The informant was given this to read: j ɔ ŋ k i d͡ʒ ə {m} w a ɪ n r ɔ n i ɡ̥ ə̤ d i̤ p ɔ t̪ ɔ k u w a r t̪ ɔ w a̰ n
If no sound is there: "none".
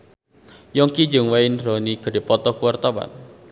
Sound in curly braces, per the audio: ŋ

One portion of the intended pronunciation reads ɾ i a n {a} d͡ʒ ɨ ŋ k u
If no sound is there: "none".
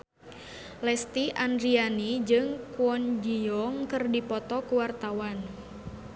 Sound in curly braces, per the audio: i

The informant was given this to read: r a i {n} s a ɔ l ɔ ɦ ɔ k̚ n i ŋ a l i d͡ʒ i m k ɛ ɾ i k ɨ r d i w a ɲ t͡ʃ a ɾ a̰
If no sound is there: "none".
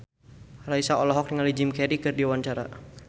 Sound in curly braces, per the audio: none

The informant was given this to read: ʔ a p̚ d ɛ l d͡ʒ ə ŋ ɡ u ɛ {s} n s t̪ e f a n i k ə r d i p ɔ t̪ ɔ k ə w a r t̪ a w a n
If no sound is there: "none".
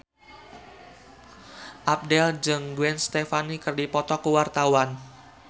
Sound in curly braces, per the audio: none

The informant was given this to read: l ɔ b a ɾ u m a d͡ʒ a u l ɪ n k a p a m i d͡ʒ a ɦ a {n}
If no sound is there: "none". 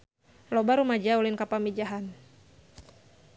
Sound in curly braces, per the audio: n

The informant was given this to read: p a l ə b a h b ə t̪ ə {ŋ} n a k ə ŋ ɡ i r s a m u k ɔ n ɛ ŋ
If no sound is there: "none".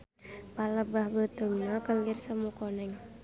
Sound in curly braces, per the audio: ŋ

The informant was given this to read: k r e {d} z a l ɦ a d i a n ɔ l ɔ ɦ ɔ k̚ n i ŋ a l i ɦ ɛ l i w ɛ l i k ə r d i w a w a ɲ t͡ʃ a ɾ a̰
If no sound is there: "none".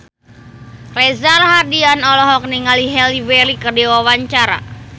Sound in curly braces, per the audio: none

